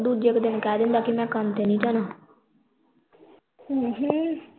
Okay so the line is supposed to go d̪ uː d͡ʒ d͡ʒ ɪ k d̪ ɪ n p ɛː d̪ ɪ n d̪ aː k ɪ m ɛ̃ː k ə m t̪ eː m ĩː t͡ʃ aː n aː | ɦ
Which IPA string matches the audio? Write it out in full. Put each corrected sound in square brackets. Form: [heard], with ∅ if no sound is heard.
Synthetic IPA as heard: d̪ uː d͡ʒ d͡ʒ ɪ k d̪ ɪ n [k] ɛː d̪ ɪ n d̪ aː k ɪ m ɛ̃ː k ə m t̪ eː [n] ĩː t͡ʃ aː n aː | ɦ